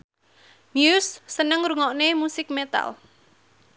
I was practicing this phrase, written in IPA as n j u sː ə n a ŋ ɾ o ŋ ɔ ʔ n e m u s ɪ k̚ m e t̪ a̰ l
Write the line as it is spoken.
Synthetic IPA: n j u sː ə n ə ŋ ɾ u ŋ ɔ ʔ n e m u s ɪ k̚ m e t̪ a̰ l